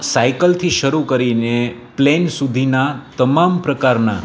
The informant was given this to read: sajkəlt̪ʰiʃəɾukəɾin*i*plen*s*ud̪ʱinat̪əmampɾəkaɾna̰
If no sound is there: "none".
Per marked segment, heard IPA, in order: e, s

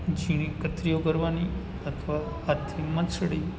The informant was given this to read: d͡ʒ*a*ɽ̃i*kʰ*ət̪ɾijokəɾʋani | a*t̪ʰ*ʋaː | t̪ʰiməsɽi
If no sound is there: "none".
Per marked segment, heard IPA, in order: i, k, t̪ʰ

